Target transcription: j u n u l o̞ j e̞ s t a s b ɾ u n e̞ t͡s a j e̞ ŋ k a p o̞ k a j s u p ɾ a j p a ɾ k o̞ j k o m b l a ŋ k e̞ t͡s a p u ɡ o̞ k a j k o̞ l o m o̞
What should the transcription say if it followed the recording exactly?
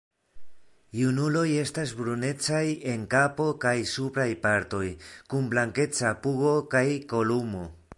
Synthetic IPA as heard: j u n u l o̞ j e̞ s t a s b ɾ u n e̞ t͡s a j e̞ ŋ k a p o̞ k a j s u p ɾ a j p a ɾ t o̞ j k u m b l a ŋ k e̞ t͡s a p u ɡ o̞ k a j k o̞ l u m o̞

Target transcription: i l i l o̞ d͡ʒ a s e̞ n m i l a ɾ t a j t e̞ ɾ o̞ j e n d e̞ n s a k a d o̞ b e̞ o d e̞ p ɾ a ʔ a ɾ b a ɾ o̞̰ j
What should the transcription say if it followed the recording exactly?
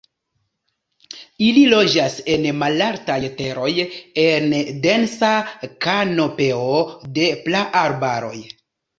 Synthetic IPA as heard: i l i l o̞ d͡ʒ a s e̞ n m a l a ɾ t a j t e̞ ɾ o̞ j e n d e̞ n s a k a n o̞ p e̞ o d e̞ p l a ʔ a ɾ b a ɾ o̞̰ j

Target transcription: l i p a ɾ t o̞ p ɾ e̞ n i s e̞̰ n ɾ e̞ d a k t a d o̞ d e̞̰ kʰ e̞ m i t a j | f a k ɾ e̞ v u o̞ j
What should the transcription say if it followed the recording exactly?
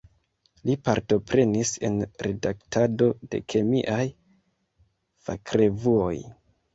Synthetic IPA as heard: l i p a ɾ t o̞ p ɾ e̞ n i s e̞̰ n ɾ e̞ d a k t a d o̞ d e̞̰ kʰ e̞ m i ʔ a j | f a k ɾ e̞ v u o̞ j

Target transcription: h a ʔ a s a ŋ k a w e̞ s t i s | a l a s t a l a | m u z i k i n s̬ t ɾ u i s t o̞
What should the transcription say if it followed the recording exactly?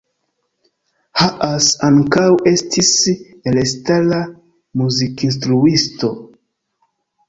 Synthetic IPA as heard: h a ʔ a s a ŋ k a w e̞ s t i s | e l e s t a l a | m u z i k i n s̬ t ɾ u i s t o̞

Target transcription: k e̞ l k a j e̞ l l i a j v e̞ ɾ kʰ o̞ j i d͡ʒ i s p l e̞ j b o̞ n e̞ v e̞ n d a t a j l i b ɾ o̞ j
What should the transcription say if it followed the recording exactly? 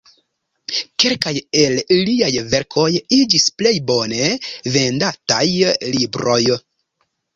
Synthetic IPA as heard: k e̞ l k a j e̞ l l i a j v e̞ ɾ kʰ o̞ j i d͡ʒ i s p l e̞ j b o̞ n e̞ v e̞ n d a t a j l i b ɾ o̞ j

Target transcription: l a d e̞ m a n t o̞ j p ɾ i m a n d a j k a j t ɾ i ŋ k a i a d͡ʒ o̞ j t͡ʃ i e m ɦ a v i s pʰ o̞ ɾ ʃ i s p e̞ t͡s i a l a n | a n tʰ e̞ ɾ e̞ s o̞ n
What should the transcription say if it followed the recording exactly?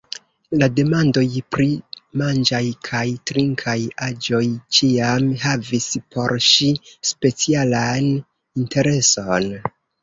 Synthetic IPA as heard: l a d e̞ m a n d o̞ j p ɾ i m a n d͡ʒ a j kʰ a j t ɾ i ŋ kʰ a j a d͡ʒ o̞ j t͡ʃ i a m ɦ a v i s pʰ o̞ ɾ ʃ i s p e̞ t͡s i a l a n | i n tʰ e̞ ɾ e̞ s o̞ n

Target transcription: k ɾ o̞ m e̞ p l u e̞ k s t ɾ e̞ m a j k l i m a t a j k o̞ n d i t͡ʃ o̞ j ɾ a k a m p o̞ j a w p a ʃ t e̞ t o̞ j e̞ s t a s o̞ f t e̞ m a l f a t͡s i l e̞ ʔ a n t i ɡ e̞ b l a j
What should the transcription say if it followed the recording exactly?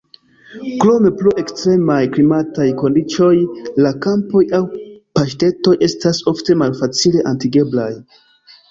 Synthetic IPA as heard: k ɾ o̞ m e̞ p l u e̞ k s t ɾ e̞ m a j k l i m a t a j k o̞ n d i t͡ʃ o̞ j l a k a m p o̞ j a w p a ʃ t e̞ t o̞ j e̞ s t a s o̞ f t e̞ m a l f a t͡s i l e̞ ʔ a n t i ɡ e̞ b l a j

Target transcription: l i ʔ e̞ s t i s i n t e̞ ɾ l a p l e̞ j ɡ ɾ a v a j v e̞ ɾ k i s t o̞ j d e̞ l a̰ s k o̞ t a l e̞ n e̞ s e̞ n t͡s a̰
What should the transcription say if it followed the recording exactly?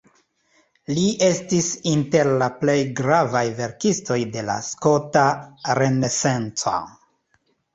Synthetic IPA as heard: l i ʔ e̞ s t i s i n t e̞ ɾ l a p l e̞ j ɡ ɾ a v a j v e̞ ɾ k i s t o̞ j d e̞ l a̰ s k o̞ t a ɾ e̞ n e̞ s e̞ n t͡s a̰

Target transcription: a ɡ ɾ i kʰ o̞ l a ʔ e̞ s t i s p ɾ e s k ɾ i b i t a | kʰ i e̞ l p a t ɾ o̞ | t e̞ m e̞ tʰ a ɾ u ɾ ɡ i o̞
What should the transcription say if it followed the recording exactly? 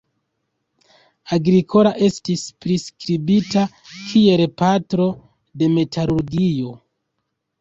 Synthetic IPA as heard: a ɡ ɾ i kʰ o̞ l a ʔ e̞ s t i s p ɾ i s k ɾ i b i t a | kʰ i e̞ l p a t ɾ o̞ | d e̞ m e̞ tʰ a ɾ u ɾ ɡ i o̞

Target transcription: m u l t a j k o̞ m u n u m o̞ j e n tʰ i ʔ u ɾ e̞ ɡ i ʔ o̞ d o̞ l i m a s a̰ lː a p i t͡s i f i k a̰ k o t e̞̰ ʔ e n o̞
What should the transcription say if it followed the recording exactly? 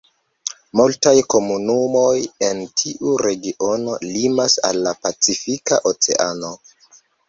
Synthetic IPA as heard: m u l t a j k o̞ m u n u m o̞ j e n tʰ i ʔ u ɾ e̞ ɡ i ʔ o̞ n o̞ l i m a s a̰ lː a p a t͡s i f i k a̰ ʔ o t͡s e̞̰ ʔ a n o̞

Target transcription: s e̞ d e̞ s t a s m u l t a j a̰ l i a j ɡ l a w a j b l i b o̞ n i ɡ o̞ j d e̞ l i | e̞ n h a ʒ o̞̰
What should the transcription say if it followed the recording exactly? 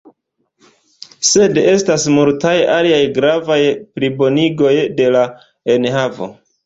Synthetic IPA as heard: s e̞ d e̞ s t a s m u l t a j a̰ l i a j ɡ ɾ a v a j p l i b o̞ n i ɡ o̞ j d e̞ l a | e̞ n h a v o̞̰

